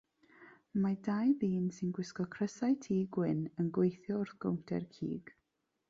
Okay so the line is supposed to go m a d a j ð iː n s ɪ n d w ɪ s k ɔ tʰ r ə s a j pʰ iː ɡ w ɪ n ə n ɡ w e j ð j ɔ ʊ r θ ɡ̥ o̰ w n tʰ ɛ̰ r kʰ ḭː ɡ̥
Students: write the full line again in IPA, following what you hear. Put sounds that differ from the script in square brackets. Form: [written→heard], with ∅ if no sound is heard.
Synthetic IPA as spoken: m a d a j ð iː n s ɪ n [d→ɡ] w ɪ s k ɔ [tʰ→kʰ] r ə s a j [pʰ→tʰ] iː ɡ w ɪ n ə n ɡ w e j [ð→θ] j ɔ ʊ r θ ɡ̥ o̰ w n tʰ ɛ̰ r kʰ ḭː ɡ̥

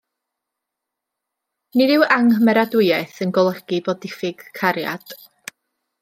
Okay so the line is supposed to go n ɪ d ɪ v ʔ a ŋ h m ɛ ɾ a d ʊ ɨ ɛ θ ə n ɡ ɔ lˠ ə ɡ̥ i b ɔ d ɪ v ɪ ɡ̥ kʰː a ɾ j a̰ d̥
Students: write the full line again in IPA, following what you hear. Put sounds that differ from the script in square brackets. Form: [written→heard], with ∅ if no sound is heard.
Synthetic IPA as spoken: n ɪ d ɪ [v→w] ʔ a ŋ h m ɛ ɾ a d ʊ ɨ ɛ θ ə n ɡ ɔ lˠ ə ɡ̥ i b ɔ d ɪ [v→f] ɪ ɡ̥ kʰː a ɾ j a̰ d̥

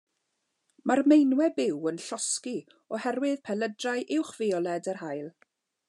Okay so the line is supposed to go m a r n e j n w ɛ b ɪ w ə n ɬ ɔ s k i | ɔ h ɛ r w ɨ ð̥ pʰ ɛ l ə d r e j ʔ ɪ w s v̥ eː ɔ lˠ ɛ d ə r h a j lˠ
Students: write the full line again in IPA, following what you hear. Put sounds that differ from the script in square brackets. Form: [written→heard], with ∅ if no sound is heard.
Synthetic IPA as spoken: m a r [n→m] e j n w ɛ b ɪ w ə n ɬ ɔ s k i | ɔ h ɛ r w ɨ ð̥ pʰ ɛ l ə d r [e→a] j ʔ ɪ w [s→χ] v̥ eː ɔ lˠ ɛ d ə r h a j lˠ

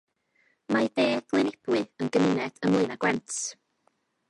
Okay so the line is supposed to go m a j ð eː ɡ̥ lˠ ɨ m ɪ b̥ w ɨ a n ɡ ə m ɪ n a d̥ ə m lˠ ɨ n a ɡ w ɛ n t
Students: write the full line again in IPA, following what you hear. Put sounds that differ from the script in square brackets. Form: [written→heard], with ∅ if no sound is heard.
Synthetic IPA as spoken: m a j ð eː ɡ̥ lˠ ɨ [m→n] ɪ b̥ w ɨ [a→ə] n ɡ ə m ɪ n [a→ɛ] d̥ ə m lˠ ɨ n a ɡ w ɛ n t

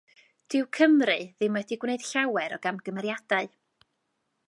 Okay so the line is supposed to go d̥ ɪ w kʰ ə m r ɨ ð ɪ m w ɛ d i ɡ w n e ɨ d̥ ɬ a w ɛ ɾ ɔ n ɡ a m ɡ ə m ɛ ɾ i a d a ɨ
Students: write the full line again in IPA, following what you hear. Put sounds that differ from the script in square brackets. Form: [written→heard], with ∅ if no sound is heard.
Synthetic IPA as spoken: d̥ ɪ w kʰ ə m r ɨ ð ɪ m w ɛ d i ɡ w n e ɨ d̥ ɬ a w ɛ ɾ ɔ [n→∅] ɡ a m ɡ ə m ɛ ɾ [i→j] a d a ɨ

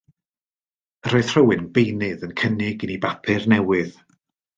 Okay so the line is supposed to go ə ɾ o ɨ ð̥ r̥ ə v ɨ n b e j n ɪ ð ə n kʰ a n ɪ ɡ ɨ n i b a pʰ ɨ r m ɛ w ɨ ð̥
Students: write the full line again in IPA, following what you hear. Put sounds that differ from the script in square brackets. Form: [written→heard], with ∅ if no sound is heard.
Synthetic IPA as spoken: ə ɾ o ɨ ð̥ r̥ ə [v→w] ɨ n b e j n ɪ ð ə n kʰ [a→ə] n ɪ ɡ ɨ n i b a pʰ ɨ r [m→n] ɛ w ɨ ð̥

